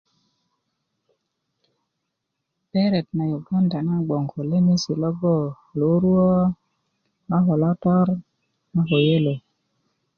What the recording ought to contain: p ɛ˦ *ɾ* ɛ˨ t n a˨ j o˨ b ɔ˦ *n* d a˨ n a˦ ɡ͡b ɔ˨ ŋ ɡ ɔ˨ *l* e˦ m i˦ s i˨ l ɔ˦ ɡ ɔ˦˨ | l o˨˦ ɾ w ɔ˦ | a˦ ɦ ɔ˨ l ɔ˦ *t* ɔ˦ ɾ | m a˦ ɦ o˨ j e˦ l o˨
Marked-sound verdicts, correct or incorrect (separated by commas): correct, correct, correct, correct